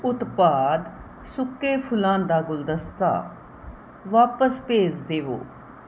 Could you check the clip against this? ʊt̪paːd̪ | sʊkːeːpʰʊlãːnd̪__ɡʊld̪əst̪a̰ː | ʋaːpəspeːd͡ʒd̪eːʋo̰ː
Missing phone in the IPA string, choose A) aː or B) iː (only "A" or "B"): A